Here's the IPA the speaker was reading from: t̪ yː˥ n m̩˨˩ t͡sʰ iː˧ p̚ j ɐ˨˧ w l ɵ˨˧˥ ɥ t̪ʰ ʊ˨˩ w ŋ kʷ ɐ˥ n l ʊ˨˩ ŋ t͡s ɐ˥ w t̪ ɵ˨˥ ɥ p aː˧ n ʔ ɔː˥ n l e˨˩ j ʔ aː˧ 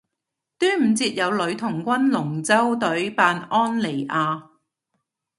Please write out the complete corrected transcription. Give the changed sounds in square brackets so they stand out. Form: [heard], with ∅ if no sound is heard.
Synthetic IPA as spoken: t̪ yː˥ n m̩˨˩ [t͡s] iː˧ [t̚] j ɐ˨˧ w l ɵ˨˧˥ ɥ t̪ʰ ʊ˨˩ [∅] ŋ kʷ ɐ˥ n l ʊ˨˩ ŋ t͡s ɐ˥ w t̪ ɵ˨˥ ɥ p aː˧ n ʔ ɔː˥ n l e˨˩ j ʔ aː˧

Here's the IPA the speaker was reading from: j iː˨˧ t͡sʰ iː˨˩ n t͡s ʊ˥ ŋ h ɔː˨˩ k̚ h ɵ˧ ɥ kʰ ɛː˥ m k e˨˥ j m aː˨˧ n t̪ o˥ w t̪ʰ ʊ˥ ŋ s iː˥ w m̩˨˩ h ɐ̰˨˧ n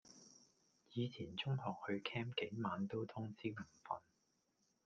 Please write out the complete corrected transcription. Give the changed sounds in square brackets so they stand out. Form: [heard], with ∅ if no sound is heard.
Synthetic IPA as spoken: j iː˨˧ t͡sʰ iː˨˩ n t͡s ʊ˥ ŋ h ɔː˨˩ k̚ h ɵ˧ ɥ kʰ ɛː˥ m k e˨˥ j m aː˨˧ n t̪ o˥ w t̪ʰ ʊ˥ ŋ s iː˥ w m̩˨˩ [f] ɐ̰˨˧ n

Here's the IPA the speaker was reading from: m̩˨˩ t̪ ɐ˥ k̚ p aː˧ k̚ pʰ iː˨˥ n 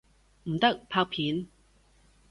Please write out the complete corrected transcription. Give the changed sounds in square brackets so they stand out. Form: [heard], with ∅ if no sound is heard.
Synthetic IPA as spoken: m̩˨˩ t̪ ɐ˥ k̚ [pʰ] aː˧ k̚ pʰ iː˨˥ n

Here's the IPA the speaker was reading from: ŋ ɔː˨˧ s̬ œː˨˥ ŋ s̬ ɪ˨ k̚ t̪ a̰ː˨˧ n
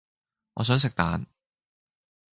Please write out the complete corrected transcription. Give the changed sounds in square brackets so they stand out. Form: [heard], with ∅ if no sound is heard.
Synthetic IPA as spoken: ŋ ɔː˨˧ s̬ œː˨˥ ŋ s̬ ɪ˨ k̚ t̪ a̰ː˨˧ n

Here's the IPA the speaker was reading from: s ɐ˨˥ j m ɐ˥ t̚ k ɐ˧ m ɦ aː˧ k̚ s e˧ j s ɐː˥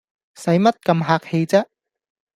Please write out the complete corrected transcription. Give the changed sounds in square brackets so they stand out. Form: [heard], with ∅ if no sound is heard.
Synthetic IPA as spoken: s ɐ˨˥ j m ɐ˥ t̚ k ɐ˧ m ɦ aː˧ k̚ [h] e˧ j [t͡s] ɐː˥

